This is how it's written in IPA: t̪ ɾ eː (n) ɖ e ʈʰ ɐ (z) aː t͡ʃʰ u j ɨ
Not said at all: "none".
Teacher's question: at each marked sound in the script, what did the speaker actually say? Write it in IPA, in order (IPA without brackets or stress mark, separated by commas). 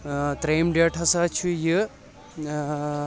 m, s